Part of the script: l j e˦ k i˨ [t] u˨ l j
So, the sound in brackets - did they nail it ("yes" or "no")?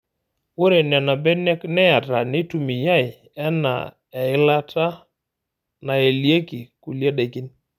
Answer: no